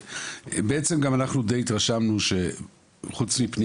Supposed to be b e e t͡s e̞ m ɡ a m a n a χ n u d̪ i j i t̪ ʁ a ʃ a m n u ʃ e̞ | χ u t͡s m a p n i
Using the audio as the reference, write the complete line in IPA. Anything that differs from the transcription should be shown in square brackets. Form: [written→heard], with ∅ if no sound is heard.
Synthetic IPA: b e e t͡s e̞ m ɡ a m a n a χ n u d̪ [i→e] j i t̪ ʁ a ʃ a m n u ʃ e̞ | χ u t͡s m [a→i] p n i